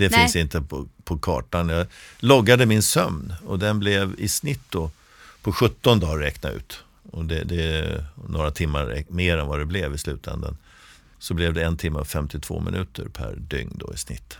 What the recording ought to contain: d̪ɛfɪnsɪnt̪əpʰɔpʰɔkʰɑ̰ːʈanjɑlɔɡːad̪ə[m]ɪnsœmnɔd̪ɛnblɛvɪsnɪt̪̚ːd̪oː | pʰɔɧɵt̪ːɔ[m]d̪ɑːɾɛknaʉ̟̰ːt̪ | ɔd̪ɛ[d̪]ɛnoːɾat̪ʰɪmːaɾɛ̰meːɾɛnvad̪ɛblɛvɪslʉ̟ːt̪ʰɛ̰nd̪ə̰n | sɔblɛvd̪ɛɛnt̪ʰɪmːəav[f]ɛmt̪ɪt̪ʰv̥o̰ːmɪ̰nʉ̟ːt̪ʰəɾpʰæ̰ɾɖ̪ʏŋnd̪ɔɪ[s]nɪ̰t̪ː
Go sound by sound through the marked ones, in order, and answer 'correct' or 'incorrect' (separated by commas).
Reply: correct, incorrect, correct, correct, correct